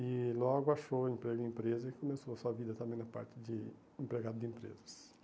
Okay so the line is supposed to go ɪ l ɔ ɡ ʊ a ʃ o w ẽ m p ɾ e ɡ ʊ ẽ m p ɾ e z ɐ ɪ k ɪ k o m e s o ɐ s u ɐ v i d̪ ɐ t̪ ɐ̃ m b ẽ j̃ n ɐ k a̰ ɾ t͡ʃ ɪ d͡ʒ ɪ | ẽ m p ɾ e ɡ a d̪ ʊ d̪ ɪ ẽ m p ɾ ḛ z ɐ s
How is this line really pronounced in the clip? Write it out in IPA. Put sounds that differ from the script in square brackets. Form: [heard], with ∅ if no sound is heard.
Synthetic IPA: ɪ l ɔ ɡ ʊ a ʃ o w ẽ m p ɾ e ɡ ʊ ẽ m p ɾ e z ɐ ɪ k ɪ k o m e s o ɐ s u ɐ v i d̪ ɐ t̪ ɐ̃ m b ẽ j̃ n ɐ [p] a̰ ɾ t͡ʃ ɪ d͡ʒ ɪ | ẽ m p ɾ e ɡ a d̪ ʊ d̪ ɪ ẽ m p ɾ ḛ z ɐ s